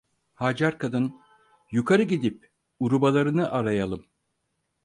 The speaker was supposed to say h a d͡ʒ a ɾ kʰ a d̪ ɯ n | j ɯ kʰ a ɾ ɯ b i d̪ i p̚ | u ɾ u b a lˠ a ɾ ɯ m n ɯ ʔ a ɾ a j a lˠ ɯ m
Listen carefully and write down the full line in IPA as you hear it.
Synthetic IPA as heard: h a d͡ʒ a ɾ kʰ a d̪ ɯ n | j u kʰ a ɾ ɯ ɟ i d̪ i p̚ | u ɾ u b a lˠ a ɾ ɯ n ɯ ʔ a ɾ a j a lˠ ɯ m